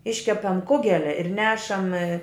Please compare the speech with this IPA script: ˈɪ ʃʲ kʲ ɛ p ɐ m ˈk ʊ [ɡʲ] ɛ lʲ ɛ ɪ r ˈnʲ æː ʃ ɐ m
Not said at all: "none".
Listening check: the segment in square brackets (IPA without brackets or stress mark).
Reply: ɡʲ